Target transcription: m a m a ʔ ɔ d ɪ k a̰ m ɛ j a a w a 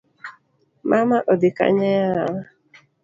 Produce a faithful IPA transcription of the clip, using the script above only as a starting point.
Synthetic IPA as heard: m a m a ʔ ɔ d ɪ k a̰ ɲ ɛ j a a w a